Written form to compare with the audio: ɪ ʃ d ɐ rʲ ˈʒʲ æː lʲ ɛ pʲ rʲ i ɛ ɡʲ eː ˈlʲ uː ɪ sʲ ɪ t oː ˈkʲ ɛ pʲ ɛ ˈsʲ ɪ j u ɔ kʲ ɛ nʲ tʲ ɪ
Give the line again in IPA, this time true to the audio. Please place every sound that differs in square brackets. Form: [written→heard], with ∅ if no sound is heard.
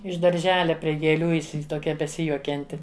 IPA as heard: ɪ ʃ d ɐ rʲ ˈʒʲ æː lʲ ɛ pʲ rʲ i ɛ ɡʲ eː ˈlʲ uː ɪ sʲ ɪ t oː ˈkʲ ɛ [pʲ→bʲ] ɛ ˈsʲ ɪ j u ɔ kʲ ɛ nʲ tʲ ɪ